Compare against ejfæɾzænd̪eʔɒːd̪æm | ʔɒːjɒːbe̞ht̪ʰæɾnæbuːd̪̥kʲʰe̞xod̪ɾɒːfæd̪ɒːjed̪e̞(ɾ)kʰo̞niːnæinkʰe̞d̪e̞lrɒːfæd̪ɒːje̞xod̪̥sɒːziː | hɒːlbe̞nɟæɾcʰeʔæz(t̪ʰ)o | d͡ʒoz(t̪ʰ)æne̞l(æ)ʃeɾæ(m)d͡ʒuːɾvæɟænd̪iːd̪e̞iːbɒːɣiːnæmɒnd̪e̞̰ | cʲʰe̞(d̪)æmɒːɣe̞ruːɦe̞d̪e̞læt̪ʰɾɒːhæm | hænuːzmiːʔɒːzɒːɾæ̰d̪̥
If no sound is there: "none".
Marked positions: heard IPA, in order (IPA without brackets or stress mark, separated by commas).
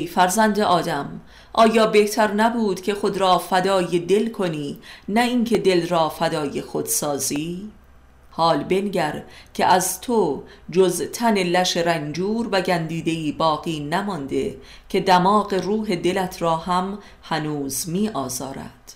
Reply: l, t̪ʰ, t̪ʰ, æ, n, d̪